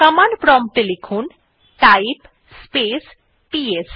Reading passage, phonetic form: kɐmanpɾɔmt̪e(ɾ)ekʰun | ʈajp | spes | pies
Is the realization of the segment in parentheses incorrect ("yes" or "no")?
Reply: yes